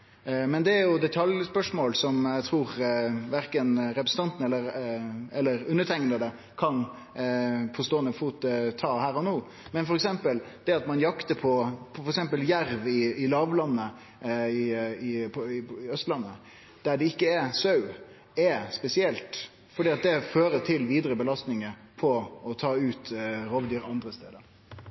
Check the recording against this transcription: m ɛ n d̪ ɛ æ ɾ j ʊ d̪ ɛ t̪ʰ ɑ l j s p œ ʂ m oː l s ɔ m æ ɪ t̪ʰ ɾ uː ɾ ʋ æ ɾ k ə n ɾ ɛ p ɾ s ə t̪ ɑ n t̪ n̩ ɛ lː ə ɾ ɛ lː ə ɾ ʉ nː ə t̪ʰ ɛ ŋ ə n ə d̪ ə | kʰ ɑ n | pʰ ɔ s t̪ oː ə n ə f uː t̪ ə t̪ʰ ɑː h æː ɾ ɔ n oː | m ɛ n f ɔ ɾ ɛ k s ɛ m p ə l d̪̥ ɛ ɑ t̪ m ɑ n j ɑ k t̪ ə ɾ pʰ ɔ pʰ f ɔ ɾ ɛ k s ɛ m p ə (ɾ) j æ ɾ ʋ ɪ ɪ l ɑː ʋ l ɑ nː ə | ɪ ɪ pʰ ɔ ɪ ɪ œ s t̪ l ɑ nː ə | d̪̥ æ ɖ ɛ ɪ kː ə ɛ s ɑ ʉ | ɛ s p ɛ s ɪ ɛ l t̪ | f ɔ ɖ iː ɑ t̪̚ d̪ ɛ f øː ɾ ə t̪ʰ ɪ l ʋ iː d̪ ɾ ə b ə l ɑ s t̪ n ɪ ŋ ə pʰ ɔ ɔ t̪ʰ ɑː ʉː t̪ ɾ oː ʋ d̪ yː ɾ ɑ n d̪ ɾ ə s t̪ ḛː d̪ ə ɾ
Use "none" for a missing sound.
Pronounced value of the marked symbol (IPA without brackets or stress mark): l